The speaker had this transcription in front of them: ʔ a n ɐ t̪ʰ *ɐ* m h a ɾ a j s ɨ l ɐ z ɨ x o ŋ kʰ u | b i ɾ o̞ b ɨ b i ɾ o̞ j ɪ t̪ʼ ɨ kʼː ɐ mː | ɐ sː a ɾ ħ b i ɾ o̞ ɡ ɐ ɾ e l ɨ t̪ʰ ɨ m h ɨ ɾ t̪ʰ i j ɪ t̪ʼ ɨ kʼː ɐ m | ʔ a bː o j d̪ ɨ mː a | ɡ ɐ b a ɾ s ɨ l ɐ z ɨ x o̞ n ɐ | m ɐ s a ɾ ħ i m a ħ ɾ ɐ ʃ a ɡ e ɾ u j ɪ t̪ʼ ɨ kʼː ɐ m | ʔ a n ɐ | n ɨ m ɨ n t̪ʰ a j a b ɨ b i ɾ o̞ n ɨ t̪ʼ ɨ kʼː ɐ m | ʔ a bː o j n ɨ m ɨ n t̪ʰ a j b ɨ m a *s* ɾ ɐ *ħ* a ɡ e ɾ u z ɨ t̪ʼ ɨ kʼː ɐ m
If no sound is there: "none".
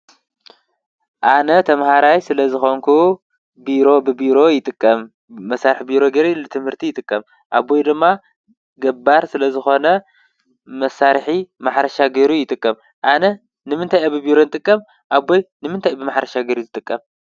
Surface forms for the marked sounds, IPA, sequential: ɐ, ħ, ʃ

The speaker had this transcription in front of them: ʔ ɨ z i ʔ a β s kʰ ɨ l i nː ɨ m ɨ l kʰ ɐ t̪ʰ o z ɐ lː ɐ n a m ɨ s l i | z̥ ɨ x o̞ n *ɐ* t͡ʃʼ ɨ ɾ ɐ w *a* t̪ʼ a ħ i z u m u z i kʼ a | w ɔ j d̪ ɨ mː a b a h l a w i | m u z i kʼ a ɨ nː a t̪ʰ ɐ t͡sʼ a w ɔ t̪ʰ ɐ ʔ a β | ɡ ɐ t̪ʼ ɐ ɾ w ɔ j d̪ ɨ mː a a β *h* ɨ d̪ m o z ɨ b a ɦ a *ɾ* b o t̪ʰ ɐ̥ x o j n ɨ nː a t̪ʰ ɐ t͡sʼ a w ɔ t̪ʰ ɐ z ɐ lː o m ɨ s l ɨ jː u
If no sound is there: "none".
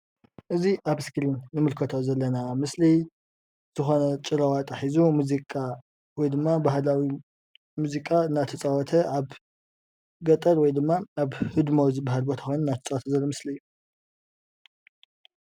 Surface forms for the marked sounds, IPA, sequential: ɐ, a, h, l

